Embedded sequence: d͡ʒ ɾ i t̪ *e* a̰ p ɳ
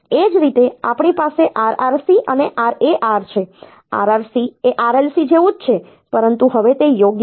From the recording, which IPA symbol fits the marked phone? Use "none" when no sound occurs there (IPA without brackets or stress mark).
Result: e